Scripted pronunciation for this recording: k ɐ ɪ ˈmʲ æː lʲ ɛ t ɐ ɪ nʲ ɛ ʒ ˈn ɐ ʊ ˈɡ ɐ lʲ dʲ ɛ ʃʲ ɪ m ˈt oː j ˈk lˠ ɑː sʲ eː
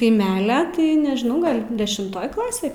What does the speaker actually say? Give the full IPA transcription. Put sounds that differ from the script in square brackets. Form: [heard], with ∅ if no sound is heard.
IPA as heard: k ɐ ɪ ˈmʲ æː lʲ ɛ t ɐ ɪ nʲ ɛ ʒ ˈn ɐ ʊ ˈɡ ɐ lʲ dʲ ɛ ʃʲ ɪ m ˈt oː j ˈk lˠ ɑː sʲ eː